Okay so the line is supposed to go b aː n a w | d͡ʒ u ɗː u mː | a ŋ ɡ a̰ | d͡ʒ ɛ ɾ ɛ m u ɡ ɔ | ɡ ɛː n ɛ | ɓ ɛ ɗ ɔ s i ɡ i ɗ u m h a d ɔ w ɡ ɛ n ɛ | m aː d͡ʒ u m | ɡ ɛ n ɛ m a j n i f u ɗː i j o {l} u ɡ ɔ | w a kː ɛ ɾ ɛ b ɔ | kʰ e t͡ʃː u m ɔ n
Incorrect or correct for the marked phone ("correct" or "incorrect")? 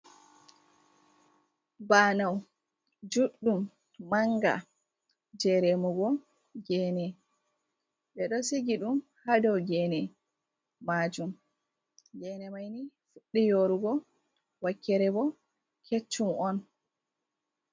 incorrect